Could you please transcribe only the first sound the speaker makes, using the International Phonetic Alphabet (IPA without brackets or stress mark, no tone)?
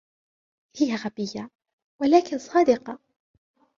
h